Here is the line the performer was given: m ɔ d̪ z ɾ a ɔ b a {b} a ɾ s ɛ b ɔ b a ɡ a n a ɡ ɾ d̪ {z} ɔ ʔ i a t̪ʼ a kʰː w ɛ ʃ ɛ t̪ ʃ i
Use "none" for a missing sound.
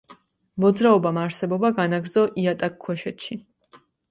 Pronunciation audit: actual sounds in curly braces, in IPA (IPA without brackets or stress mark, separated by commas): m, z